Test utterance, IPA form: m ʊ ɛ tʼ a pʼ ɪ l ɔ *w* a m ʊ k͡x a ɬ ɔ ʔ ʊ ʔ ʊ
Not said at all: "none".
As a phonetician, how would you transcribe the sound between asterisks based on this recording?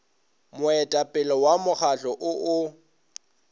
w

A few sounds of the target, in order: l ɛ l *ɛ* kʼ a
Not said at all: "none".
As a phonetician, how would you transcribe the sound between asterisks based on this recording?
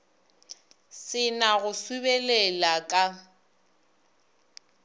a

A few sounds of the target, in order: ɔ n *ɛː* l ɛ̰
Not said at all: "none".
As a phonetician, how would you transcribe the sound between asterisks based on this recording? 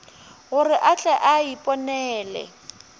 ɛː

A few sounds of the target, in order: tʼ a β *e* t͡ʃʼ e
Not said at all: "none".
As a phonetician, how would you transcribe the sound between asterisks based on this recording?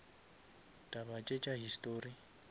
a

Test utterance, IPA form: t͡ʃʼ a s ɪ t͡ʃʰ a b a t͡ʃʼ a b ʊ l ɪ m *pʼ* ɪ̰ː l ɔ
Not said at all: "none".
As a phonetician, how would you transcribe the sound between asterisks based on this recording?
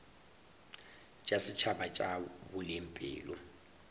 pʼ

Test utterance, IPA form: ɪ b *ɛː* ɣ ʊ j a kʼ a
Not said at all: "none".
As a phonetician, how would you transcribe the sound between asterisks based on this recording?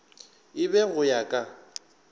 ɛ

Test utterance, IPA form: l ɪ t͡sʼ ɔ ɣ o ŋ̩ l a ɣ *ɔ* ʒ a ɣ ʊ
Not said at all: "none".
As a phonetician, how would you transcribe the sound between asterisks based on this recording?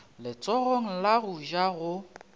u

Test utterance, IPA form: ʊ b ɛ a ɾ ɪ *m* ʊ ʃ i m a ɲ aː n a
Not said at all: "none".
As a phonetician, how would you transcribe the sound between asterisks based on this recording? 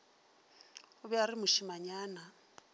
m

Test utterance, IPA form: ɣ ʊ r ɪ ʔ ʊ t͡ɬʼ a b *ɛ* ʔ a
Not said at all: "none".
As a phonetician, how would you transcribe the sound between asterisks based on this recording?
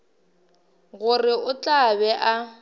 ɛ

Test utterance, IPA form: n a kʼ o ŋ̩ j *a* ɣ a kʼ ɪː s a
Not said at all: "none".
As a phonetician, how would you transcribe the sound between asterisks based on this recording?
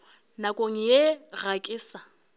e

